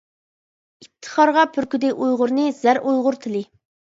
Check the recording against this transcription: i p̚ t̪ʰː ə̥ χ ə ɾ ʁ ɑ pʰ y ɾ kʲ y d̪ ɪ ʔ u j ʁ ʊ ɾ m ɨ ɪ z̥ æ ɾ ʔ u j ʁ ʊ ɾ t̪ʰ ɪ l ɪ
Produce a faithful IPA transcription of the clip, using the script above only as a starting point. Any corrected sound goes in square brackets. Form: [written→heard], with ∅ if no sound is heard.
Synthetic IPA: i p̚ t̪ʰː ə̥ χ [ə→ɑ] ɾ ʁ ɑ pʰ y ɾ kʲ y d̪ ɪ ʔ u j ʁ ʊ ɾ [m→n] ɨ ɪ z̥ æ ɾ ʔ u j ʁ ʊ ɾ t̪ʰ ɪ l ɪ